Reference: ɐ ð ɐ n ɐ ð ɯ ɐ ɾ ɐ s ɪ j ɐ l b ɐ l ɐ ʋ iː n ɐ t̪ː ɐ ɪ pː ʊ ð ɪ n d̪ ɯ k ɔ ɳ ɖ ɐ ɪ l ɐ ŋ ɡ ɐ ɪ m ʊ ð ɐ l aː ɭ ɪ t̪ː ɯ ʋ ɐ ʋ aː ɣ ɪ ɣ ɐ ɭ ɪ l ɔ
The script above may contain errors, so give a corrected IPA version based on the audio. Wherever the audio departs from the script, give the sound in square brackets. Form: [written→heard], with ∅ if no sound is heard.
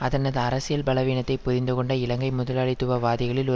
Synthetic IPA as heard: ɐ ð ɐ n ɐ ð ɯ ɐ ɾ ɐ s ɪ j ɐ l b ɐ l ɐ ʋ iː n ɐ t̪ː ɐ ɪ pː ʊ ð ɪ n d̪ ɯ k ɔ ɳ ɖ ɐ ɪ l ɐ ŋ ɡ ɐ ɪ m ʊ ð ɐ l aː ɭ ɪ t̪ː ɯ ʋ ɐ ʋ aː [ɣ→ð] ɪ ɣ ɐ ɭ ɪ l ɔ